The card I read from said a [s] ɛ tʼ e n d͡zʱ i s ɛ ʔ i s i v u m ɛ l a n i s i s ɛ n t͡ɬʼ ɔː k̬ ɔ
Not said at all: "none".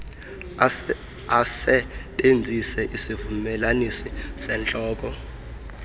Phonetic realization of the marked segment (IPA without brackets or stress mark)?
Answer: s